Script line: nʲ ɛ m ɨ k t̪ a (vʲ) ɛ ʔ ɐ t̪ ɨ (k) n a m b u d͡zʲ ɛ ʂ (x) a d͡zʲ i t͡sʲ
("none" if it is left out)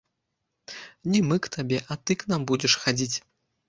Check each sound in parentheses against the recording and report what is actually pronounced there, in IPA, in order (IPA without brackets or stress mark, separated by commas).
bʲ, k, x